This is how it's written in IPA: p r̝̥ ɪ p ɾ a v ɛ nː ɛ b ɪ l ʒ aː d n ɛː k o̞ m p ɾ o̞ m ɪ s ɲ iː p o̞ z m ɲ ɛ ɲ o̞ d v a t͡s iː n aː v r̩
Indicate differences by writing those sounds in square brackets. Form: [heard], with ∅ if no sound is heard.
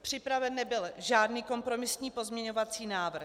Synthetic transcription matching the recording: p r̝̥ ɪ p ɾ a v ɛ nː ɛ b ɪ l ʒ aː d n [iː] k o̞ m p ɾ o̞ m ɪ s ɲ iː p o̞ z m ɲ ɛ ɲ o̞ [∅] v a t͡s iː n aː v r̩